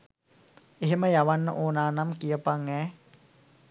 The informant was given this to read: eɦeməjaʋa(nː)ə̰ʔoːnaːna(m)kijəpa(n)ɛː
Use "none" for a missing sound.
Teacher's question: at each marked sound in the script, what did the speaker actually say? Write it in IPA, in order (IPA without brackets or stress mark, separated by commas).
nː, m, ŋ